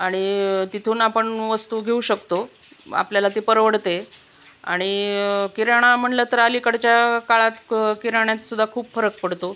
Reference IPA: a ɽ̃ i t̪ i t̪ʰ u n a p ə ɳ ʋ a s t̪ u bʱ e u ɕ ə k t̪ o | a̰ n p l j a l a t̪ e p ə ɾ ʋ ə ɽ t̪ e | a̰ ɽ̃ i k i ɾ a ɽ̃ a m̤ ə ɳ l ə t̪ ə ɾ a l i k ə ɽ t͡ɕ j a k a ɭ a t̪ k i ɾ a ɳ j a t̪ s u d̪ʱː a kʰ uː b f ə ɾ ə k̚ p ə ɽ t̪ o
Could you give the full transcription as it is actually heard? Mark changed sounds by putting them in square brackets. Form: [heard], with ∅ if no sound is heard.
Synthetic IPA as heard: a ɽ̃ i t̪ i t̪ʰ [uː] n a p ə ɳ ʋ [ə] s t̪ u [ɡʱ] e u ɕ ə k t̪ o | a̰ [∅] p l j a l a t̪ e p ə ɾ ʋ ə ɽ t̪ e | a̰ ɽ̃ i k i ɾ a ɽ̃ a m̤ ə ɳ l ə t̪ ə ɾ a l i k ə ɽ t͡ɕ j a k a ɭ a t̪ k i ɾ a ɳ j a t̪ s u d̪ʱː a kʰ uː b f ə ɾ ə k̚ p ə ɽ t̪ o